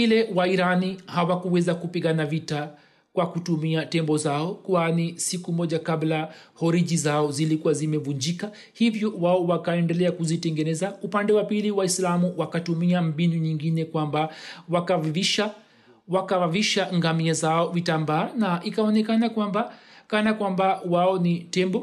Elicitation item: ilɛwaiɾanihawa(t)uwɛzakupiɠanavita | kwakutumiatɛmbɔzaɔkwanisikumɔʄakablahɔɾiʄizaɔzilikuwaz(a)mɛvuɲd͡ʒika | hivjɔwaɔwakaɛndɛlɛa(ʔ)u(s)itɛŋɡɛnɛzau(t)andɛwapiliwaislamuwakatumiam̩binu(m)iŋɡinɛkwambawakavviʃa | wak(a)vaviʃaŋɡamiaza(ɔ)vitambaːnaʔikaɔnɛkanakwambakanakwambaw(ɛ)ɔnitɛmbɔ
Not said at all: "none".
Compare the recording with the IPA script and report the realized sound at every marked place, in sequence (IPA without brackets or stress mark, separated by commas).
k, i, k, z, p, ɲ, a, ɔ, a